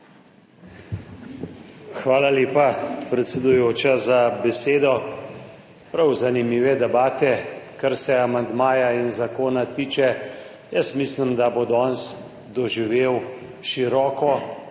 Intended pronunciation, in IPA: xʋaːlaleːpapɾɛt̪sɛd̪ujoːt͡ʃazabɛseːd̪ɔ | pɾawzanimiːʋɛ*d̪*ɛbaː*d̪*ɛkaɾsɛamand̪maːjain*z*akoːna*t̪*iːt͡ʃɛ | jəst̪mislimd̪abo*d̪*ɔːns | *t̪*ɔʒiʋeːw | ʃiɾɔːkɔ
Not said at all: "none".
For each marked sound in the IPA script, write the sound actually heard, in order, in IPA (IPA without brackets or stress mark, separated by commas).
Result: d̪, t̪, z, t̪, d̪, d̪